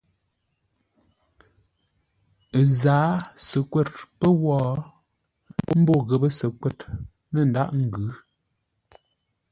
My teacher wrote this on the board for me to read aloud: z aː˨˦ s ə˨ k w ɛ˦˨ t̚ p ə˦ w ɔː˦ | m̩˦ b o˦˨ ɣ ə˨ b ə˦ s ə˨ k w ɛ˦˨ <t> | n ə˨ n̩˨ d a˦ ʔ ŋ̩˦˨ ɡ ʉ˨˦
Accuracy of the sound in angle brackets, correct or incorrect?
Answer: correct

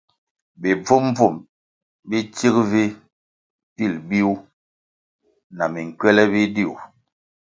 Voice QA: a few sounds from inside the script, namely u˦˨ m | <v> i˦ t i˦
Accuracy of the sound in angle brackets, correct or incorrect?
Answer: incorrect: b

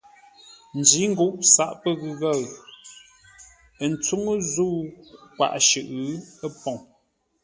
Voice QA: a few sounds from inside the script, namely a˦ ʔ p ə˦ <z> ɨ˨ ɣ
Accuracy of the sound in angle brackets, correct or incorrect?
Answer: incorrect: ɣ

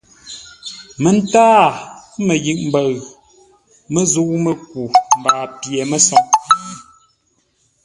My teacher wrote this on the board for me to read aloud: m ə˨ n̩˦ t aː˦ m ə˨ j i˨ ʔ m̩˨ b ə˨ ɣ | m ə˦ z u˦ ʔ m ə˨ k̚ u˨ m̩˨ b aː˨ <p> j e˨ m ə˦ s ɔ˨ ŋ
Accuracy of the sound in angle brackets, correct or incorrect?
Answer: correct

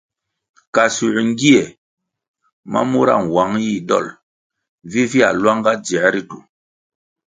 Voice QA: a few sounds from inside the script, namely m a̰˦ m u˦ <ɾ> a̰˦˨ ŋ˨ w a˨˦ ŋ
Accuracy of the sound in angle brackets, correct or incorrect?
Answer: correct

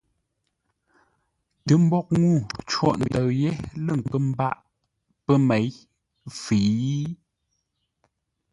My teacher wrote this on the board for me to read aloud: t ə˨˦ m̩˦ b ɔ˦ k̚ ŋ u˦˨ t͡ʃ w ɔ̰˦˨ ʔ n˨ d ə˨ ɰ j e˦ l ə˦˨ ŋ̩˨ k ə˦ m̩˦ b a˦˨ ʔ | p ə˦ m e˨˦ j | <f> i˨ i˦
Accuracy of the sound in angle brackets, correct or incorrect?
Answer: correct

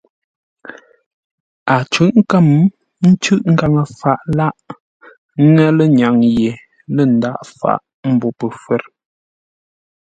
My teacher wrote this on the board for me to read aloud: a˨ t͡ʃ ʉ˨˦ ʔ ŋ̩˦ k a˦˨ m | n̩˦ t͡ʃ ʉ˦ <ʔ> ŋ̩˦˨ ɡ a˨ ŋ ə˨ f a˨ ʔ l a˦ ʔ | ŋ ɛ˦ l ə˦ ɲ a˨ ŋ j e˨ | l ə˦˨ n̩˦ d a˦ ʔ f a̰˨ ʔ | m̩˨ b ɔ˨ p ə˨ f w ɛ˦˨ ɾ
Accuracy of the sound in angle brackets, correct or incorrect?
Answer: correct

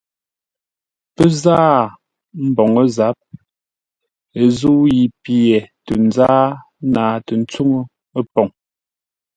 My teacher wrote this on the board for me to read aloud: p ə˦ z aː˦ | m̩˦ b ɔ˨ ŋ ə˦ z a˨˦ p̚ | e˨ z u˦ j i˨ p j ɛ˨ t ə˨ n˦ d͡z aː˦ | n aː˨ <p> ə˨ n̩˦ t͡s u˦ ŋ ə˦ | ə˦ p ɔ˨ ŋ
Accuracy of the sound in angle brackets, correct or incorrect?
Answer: incorrect: t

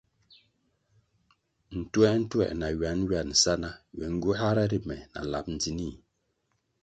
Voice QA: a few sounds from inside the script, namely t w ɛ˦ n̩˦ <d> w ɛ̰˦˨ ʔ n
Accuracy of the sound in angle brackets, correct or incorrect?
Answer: incorrect: t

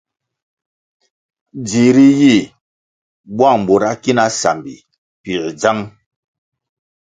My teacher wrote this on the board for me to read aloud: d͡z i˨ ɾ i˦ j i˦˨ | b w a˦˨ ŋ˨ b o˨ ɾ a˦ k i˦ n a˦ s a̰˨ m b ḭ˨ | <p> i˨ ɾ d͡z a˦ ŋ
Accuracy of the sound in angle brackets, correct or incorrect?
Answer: correct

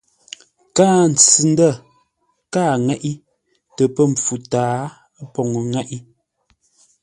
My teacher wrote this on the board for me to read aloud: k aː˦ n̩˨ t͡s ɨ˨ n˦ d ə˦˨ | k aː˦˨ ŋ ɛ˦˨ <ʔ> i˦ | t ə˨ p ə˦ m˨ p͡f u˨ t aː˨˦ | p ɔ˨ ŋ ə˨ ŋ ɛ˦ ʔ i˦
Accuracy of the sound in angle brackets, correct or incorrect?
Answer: correct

